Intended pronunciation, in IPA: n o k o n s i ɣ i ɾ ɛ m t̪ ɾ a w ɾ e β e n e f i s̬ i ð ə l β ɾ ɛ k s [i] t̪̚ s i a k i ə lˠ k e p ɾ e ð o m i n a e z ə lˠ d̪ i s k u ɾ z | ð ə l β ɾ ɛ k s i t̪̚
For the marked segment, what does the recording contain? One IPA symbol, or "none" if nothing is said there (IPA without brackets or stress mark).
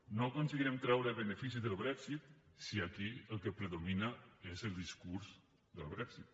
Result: i